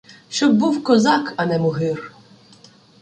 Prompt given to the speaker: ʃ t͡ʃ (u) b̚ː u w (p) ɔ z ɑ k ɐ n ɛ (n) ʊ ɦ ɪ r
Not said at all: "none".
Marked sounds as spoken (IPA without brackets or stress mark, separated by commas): ɔ, k, m